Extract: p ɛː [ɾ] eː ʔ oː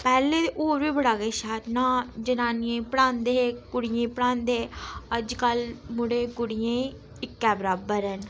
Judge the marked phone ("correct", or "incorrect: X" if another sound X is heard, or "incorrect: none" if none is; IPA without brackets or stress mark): incorrect: l